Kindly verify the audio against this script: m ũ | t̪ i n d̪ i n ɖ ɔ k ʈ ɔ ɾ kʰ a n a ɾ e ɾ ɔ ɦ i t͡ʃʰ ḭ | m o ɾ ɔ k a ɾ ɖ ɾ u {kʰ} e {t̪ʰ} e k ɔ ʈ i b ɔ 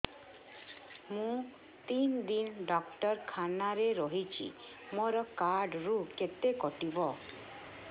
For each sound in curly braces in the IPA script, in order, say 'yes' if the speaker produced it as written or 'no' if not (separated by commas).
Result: no, no